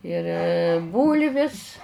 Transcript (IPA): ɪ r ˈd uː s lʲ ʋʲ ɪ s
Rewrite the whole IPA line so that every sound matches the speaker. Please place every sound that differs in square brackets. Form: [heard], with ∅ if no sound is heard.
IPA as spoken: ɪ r [ˈb] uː [∅] lʲ ʋʲ ɪ s